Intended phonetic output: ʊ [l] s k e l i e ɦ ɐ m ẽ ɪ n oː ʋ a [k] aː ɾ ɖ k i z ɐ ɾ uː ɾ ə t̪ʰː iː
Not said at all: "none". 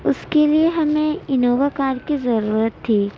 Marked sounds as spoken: none, k

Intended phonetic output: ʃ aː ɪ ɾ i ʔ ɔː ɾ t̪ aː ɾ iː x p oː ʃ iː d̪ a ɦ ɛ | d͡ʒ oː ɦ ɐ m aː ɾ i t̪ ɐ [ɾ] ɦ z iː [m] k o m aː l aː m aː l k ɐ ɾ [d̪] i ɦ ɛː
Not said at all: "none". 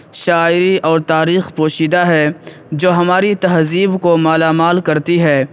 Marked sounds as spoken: none, b, t̪

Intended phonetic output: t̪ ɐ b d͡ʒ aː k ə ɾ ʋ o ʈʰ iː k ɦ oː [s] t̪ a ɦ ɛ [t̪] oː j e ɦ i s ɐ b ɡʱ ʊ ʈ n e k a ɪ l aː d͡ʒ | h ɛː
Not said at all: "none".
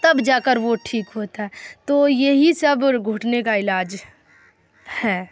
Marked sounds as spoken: none, t̪

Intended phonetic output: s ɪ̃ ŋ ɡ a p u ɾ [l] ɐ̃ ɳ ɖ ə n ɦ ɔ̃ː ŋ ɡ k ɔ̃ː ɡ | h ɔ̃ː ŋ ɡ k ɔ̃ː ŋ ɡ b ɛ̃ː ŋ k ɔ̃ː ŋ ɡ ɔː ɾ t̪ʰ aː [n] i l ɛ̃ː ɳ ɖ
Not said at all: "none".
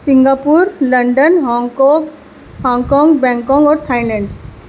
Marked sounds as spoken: l, none

